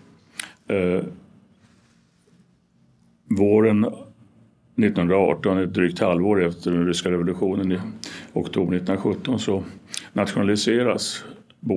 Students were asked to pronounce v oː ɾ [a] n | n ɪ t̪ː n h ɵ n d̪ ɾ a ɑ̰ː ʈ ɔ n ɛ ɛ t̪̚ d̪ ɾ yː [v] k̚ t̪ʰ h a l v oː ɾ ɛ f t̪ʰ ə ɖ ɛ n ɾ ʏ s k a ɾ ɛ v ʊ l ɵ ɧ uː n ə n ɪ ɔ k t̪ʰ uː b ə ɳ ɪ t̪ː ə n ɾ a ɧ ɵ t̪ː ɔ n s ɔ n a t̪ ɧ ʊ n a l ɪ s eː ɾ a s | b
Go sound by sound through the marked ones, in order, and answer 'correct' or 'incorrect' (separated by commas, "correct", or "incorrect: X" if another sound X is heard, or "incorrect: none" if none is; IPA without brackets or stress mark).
incorrect: ə, incorrect: none